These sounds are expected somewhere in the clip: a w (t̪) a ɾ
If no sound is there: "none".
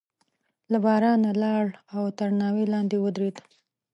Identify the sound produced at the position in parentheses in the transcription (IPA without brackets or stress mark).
t̪